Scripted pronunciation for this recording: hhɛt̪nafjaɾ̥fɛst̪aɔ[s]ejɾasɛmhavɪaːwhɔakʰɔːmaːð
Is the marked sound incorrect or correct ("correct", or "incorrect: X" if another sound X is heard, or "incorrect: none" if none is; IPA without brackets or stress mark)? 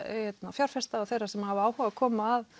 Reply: incorrect: θ